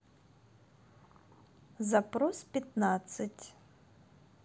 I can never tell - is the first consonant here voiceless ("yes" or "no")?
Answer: no